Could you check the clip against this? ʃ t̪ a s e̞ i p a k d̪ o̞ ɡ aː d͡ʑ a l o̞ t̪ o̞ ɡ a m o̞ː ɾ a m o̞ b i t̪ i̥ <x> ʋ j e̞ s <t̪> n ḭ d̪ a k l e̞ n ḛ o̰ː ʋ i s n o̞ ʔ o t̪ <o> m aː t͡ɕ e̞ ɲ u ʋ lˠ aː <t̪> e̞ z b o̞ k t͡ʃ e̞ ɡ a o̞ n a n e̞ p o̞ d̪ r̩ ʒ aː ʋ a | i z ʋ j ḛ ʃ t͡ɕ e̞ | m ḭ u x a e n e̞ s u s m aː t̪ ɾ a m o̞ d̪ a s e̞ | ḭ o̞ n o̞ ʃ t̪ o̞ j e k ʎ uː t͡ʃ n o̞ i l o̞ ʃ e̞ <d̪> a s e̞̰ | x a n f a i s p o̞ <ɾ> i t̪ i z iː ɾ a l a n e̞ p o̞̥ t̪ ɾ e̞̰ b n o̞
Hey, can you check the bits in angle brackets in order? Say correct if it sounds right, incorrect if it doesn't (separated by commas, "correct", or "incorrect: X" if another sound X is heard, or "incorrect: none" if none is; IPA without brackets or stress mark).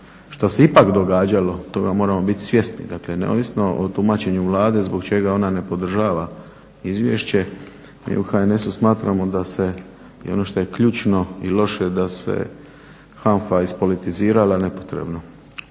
incorrect: s, correct, incorrect: u, incorrect: d̪, correct, incorrect: l